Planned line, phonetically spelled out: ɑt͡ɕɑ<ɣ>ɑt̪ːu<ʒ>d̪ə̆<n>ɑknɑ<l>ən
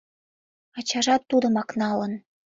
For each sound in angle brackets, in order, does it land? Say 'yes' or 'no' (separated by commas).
no, no, no, yes